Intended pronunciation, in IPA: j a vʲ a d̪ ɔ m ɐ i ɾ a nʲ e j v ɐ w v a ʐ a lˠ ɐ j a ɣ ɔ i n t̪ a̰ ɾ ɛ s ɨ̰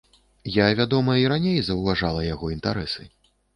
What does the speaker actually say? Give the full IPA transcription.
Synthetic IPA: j a vʲ a d̪ ɔ m ɐ i ɾ a nʲ e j z ɐ w v a ʐ a lˠ ɐ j a ɣ ɔ i n t̪ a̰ ɾ ɛ s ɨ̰